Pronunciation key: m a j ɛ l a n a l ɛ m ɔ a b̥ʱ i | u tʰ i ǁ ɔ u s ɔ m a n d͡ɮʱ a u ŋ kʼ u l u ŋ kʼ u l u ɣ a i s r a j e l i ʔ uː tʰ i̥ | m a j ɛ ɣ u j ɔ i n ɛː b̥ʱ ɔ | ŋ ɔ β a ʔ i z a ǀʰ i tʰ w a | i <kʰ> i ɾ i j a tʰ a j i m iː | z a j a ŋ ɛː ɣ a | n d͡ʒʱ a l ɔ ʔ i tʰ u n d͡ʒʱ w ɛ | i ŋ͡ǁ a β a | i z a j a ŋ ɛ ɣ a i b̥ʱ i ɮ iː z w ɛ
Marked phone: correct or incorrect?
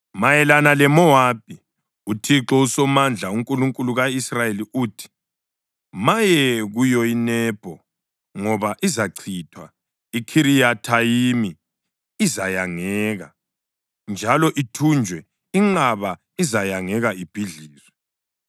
correct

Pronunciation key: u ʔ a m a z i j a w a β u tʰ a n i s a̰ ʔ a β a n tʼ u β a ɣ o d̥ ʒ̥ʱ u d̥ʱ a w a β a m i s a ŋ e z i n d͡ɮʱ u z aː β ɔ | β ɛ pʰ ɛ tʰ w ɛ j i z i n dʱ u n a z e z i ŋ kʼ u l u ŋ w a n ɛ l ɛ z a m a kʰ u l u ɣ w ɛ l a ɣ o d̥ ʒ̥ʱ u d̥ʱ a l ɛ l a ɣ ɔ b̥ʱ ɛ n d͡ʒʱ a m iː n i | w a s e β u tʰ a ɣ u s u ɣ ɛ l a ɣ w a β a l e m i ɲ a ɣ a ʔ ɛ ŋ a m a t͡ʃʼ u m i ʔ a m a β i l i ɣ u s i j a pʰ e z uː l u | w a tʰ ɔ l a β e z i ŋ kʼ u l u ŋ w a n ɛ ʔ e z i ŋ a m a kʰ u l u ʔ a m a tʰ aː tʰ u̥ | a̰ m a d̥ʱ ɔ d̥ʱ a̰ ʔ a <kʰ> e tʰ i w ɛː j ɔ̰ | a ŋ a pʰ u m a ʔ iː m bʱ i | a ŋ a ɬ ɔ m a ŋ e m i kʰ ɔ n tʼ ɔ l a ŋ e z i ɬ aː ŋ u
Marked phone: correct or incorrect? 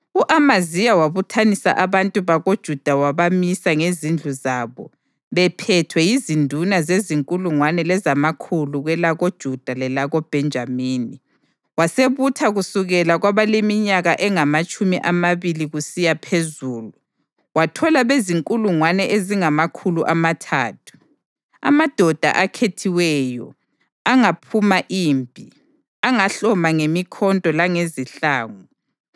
correct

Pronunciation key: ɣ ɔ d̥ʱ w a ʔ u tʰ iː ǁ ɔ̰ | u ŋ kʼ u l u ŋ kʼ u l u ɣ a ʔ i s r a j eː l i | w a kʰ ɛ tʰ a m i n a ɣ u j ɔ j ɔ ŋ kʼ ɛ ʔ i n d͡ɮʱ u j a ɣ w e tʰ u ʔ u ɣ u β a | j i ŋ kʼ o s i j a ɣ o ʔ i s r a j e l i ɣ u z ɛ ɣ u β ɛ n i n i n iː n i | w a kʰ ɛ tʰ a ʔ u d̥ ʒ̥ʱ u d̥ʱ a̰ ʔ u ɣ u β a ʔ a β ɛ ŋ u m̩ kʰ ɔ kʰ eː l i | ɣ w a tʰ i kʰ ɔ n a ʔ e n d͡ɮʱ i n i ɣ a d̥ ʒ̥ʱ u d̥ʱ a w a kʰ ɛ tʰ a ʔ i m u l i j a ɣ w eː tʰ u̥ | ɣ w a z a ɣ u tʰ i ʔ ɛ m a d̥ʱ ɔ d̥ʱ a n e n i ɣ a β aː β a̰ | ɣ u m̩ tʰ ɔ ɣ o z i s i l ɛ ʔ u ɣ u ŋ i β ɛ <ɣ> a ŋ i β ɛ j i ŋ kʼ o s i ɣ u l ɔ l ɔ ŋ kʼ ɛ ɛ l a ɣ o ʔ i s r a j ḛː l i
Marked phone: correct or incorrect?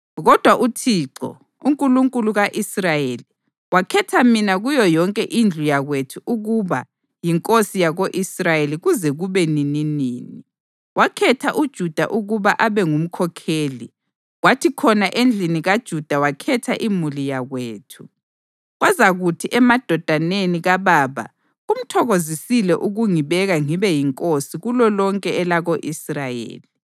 correct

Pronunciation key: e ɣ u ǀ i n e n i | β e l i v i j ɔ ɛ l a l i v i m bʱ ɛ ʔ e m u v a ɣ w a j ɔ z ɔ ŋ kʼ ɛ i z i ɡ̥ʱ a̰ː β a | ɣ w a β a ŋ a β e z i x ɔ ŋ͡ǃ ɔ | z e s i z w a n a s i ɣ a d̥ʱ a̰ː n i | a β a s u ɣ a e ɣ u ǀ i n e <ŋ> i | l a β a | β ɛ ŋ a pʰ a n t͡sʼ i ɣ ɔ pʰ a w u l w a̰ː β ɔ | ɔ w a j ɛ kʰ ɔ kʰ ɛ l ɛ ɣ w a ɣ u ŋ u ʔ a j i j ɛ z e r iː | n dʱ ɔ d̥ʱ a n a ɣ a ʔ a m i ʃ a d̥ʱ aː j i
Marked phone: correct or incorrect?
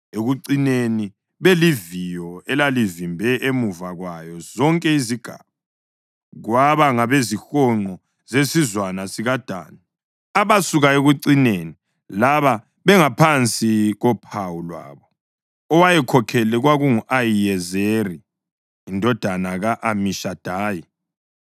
incorrect: n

